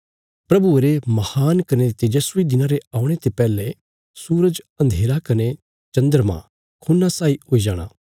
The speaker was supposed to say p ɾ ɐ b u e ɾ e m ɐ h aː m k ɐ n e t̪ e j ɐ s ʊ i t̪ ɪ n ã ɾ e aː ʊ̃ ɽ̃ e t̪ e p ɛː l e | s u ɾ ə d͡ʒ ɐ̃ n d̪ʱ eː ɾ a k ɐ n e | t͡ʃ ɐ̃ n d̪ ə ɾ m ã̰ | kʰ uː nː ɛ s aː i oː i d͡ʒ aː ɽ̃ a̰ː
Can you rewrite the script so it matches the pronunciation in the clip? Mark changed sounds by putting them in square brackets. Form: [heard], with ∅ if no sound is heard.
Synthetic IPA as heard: p ɾ ɐ b u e ɾ e m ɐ h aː [n] k ɐ n e t̪ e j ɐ s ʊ i [d̪] ɪ n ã ɾ e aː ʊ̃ ɽ̃ e t̪ e p ɛː l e | s [uː] ɾ ə d͡ʒ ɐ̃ n d̪ʱ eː ɾ a k ɐ n e | t͡ʃ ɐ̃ n d̪ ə ɾ m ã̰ | kʰ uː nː [a] s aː i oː i d͡ʒ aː ɽ̃ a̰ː